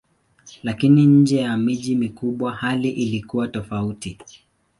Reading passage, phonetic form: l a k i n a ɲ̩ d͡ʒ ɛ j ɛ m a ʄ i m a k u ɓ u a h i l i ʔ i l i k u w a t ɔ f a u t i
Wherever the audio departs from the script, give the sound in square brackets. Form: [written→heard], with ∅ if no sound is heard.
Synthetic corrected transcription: l a k i n [a→i] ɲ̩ d͡ʒ ɛ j [ɛ→a] m [a→i] ʄ i m [a→i] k u ɓ [u→w] a h [i→a] l i ʔ i l i k u w a t ɔ f a u t i